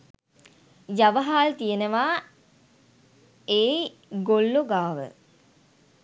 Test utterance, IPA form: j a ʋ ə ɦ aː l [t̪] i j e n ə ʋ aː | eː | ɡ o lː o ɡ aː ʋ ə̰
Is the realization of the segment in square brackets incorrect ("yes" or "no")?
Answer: no